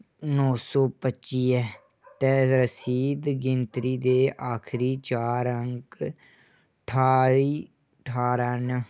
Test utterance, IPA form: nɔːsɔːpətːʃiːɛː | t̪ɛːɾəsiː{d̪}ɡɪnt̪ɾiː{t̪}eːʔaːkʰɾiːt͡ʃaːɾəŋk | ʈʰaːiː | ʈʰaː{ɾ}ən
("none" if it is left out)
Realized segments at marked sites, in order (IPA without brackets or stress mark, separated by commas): d̪, d̪, ɾ